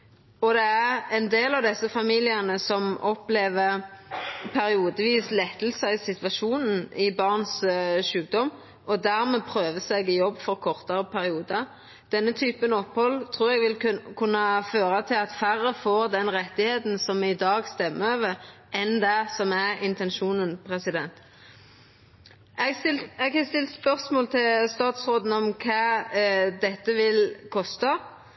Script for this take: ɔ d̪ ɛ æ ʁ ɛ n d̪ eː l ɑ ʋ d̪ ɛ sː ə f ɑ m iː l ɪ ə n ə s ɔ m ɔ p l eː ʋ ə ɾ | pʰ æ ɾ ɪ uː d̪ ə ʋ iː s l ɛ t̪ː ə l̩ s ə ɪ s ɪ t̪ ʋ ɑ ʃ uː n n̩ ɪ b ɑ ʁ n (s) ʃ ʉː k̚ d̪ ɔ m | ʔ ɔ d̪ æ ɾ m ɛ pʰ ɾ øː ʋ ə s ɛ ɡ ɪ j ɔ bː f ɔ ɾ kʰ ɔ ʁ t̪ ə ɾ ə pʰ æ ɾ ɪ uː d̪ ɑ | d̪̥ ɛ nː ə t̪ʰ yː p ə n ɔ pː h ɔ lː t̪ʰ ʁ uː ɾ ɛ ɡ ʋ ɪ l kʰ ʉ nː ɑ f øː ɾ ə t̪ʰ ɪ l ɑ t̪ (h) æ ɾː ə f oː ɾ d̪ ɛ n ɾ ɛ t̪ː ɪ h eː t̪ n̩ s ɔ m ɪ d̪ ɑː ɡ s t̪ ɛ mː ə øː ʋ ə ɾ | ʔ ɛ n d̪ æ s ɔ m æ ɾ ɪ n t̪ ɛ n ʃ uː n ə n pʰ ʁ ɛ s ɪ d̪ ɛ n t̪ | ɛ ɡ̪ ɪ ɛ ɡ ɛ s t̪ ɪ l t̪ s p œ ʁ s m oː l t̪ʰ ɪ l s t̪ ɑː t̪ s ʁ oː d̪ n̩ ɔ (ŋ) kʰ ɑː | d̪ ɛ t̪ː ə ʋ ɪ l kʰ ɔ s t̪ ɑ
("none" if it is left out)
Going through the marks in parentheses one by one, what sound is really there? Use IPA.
s, f, m

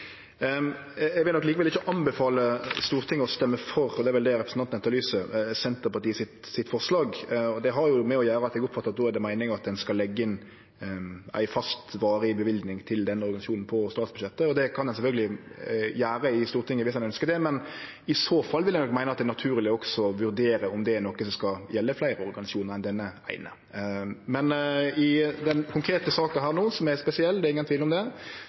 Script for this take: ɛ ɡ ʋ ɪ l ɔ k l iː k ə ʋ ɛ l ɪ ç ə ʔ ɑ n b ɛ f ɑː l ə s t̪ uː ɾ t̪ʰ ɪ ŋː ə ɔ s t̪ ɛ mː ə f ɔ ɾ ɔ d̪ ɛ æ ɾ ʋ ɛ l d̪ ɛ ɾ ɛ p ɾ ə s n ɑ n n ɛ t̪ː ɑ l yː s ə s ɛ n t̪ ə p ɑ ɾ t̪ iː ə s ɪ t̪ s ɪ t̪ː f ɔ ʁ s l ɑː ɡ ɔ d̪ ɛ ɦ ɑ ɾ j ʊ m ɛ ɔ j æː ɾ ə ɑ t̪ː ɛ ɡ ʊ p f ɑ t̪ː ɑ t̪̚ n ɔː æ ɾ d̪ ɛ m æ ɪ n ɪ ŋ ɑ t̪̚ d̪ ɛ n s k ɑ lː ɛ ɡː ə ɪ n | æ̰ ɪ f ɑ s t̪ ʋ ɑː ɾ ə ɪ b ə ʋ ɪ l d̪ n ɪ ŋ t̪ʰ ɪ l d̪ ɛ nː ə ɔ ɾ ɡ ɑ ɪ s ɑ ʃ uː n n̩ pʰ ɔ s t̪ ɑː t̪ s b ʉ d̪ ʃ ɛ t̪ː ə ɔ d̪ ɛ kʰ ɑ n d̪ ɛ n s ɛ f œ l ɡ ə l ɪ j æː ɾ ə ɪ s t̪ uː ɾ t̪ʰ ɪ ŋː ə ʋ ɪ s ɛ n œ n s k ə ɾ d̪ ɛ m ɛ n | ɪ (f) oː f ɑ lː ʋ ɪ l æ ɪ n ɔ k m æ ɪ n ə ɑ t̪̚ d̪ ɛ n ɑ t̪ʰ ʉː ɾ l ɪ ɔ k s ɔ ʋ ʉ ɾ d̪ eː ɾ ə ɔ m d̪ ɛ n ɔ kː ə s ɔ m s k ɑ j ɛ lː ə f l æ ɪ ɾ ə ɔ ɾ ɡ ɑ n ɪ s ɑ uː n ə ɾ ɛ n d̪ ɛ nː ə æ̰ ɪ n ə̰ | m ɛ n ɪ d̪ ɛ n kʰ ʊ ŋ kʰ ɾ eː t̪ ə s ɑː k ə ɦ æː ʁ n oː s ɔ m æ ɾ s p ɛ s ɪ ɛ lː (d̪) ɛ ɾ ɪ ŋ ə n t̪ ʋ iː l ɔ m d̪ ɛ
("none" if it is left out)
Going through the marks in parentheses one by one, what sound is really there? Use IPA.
s, d̪

